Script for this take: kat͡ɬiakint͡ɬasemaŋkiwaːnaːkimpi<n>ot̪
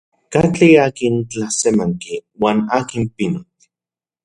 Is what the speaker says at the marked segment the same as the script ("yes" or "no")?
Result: yes